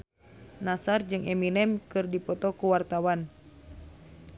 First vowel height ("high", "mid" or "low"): low